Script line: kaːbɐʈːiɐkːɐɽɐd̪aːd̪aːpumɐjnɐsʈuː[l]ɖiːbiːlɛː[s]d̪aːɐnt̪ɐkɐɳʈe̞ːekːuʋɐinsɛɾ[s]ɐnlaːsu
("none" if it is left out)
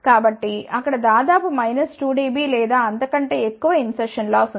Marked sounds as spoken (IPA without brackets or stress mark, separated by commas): none, none, ʂ